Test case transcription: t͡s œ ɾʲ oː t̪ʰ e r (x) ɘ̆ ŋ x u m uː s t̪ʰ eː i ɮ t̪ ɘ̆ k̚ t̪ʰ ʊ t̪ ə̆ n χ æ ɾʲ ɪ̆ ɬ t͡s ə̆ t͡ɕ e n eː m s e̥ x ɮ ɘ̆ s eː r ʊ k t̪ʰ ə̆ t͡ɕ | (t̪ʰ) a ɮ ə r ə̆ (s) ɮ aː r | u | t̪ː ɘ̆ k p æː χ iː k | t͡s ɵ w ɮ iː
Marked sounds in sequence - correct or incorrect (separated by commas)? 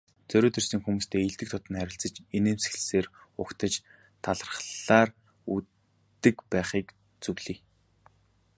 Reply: incorrect, correct, incorrect